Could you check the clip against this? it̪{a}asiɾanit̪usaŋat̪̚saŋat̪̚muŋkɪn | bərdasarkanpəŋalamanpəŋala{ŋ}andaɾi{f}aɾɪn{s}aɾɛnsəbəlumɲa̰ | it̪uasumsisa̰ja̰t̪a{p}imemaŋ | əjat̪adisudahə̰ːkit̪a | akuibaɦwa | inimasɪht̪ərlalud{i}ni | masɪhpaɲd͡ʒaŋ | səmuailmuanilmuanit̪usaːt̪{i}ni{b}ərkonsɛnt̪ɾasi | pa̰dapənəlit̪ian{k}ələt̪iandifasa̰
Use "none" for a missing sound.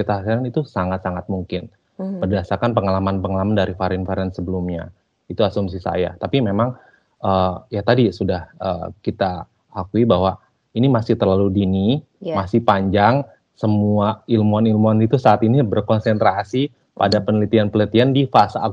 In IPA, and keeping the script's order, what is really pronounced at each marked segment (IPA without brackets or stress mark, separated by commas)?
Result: a, m, f, f, p, i, i, b, p